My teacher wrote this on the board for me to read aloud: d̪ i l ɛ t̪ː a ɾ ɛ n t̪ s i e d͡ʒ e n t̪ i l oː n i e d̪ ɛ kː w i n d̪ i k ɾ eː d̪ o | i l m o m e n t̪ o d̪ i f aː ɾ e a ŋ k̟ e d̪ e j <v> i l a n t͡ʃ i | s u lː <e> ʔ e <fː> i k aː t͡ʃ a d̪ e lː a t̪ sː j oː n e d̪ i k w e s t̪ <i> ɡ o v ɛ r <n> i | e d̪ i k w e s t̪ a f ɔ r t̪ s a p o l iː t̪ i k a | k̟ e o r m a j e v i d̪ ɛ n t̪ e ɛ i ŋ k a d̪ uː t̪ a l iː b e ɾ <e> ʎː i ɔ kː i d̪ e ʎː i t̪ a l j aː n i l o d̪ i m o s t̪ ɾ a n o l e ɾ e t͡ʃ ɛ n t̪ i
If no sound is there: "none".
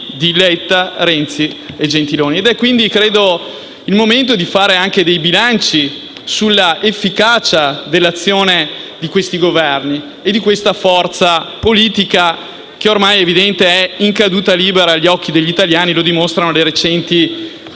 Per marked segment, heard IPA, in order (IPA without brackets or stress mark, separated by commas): b, a, fː, i, n, a